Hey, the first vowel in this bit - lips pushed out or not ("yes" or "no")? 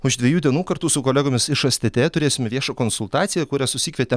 yes